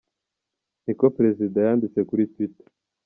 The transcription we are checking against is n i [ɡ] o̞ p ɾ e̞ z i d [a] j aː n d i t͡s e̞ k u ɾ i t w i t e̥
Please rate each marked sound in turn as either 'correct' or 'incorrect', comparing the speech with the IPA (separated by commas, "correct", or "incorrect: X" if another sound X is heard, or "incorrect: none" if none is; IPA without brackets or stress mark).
incorrect: k, correct